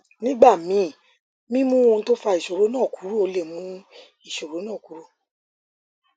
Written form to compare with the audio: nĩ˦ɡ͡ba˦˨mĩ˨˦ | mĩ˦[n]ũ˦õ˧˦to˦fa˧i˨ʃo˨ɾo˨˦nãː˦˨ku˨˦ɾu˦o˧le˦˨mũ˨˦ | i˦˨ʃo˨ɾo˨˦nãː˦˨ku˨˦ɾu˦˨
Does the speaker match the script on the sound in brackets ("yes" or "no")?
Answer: no